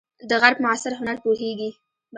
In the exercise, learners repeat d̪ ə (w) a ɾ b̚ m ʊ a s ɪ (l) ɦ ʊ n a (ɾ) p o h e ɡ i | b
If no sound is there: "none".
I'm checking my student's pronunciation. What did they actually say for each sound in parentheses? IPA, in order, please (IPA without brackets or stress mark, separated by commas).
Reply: ɣ, ɾ, ɾ